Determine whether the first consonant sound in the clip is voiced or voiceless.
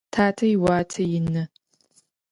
voiceless